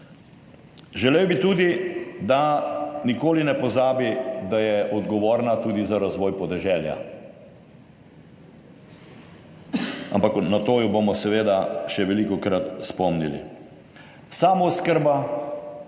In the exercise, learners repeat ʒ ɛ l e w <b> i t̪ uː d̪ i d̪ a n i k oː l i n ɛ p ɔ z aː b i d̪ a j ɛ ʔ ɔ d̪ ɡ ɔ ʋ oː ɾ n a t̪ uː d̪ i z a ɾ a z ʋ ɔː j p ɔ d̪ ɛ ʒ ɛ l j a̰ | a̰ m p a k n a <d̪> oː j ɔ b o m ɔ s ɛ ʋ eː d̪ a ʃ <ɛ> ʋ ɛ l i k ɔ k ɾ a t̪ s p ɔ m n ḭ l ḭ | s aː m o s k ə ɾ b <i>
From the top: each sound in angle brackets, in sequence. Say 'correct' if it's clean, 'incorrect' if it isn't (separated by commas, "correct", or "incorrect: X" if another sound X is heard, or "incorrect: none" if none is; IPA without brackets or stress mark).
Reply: correct, incorrect: t̪, correct, incorrect: a